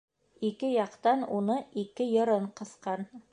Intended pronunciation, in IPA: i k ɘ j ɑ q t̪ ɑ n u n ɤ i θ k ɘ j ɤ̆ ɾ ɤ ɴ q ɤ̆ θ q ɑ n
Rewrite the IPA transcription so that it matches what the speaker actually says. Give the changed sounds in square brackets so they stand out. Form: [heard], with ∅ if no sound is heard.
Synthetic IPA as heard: i k ɘ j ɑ q t̪ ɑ n u n ɤ i [∅] k ɘ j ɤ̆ ɾ ɤ ɴ q ɤ̆ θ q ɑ n